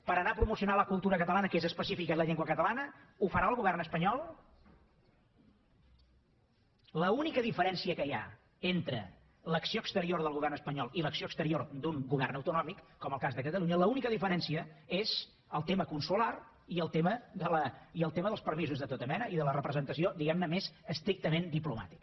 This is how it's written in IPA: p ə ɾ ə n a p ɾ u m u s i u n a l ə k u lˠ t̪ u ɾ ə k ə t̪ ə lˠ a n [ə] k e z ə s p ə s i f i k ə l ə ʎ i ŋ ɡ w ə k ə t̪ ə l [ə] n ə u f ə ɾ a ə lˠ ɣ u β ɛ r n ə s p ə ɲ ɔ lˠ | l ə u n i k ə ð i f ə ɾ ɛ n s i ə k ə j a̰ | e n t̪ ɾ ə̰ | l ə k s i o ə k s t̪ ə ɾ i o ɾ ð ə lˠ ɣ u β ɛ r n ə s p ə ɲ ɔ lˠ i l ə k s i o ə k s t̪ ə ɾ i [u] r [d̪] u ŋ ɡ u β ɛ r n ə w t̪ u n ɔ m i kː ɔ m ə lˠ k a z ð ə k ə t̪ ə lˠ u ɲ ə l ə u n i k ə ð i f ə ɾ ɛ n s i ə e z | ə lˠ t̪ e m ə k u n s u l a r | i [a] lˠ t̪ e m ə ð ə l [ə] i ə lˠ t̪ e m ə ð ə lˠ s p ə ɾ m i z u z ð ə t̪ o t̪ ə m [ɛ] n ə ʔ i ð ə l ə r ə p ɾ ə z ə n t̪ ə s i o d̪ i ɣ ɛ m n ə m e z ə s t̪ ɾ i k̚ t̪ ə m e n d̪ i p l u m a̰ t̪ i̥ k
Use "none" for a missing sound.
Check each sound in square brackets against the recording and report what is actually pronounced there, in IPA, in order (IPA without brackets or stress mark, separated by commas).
ə, a, o, d̪, ə, ə, ɛ